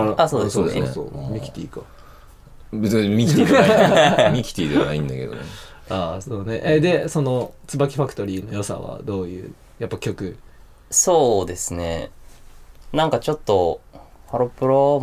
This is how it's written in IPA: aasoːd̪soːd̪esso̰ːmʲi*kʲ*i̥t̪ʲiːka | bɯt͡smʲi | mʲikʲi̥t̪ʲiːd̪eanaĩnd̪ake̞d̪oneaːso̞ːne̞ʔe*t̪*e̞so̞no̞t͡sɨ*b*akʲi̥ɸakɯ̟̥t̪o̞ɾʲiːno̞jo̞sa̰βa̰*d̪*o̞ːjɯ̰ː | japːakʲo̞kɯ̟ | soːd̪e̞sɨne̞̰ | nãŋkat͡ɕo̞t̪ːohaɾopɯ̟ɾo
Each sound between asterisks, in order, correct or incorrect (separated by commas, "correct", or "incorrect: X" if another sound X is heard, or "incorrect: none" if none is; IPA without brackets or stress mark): correct, incorrect: d̪, correct, correct